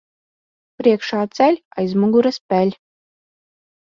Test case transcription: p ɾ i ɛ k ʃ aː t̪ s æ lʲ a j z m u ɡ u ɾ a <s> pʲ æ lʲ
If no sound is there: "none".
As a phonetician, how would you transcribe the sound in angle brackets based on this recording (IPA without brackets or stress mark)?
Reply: s